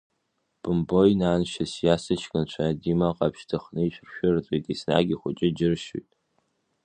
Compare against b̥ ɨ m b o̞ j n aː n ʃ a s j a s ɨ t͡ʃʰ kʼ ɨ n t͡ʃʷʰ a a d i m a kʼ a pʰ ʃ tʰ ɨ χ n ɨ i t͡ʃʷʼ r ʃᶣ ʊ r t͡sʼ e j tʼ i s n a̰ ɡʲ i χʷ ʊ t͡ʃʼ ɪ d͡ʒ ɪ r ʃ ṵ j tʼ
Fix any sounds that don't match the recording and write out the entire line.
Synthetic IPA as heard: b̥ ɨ m b o̞ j n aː n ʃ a s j a s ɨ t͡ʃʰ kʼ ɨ n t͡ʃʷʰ a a d i m a qʼ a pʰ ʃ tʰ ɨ χ n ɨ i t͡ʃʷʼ r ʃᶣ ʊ r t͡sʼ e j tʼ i s n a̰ ɡʲ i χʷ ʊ t͡ʃʼ ɪ d͡ʒ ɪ r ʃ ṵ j tʼ